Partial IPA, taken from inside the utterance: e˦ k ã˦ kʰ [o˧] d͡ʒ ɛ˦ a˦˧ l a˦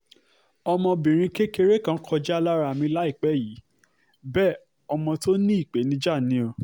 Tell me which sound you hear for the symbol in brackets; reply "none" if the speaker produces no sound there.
ɔ˧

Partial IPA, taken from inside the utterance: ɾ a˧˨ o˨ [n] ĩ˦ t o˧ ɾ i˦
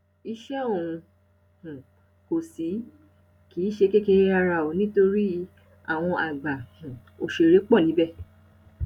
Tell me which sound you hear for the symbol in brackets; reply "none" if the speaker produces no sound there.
n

